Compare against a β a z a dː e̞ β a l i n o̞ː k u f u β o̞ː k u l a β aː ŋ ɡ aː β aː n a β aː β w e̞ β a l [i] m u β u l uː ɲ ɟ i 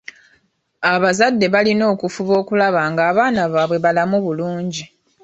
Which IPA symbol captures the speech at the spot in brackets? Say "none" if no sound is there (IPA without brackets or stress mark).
a